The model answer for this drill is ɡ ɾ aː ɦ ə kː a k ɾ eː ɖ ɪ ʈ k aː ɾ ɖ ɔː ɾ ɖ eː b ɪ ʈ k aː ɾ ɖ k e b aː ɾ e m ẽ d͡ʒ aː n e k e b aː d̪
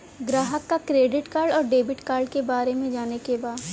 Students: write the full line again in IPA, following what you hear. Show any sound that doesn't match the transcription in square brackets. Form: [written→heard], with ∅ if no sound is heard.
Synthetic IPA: ɡ ɾ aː ɦ ə kː a k ɾ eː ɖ ɪ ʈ k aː ɾ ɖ ɔː ɾ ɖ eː b ɪ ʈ k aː ɾ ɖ k e b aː ɾ e m ẽ d͡ʒ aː n e k e b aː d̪